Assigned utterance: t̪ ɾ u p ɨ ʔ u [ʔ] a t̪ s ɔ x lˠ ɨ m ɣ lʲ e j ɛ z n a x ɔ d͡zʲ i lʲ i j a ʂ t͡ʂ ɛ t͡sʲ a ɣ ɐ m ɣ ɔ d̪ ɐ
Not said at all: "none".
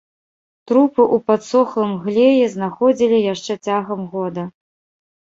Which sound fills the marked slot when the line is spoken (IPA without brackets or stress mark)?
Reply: p